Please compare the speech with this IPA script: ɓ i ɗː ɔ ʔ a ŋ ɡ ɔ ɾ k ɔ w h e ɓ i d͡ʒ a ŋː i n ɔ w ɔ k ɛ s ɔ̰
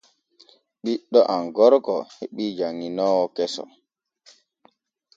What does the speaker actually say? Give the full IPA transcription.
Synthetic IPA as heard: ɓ i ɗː ɔ ʔ a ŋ ɡ ɔ ɾ k ɔ h e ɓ i d͡ʒ a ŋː i n ɔ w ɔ k ɛ s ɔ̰